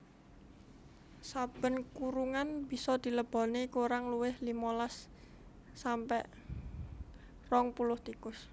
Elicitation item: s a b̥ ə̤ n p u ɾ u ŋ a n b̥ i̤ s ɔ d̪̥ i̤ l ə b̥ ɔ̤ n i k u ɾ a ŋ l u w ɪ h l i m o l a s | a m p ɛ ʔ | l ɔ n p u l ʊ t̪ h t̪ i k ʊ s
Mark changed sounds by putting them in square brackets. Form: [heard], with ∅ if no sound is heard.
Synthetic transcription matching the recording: s a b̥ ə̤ n [k] u ɾ u ŋ a n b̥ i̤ s ɔ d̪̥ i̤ l ə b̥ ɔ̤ n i k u ɾ a ŋ l u w ɪ h l i m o l a [sː] | a m p ɛ ʔ | [r] ɔ [ŋ] p u l ʊ [∅] h t̪ i k ʊ s